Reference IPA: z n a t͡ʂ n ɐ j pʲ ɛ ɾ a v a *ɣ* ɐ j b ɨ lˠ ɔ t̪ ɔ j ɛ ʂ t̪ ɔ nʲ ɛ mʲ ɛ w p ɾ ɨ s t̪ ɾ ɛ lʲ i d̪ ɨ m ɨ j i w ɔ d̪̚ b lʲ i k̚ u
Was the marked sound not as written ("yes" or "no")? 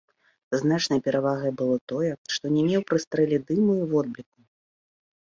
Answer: no